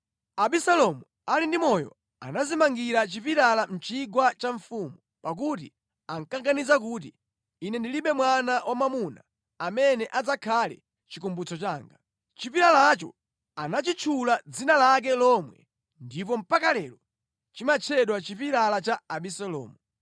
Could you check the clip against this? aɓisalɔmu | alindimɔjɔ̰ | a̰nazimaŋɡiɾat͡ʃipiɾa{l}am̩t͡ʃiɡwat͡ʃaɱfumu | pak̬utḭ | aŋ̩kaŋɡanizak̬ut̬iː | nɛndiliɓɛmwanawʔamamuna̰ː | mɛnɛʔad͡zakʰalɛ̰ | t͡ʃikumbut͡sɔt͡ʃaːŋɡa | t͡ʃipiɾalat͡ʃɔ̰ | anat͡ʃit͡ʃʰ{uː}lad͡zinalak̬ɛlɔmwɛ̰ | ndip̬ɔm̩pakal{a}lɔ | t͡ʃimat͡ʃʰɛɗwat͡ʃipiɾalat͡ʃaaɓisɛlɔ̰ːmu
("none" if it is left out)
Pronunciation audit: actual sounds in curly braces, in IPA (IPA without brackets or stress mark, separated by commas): l, u, ɛ